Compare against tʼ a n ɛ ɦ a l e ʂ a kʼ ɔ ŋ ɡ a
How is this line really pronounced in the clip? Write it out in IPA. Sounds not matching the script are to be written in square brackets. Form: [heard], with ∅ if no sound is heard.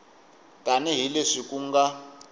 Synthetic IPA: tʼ a n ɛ ɦ [i] l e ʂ [i] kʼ [u] ŋ ɡ a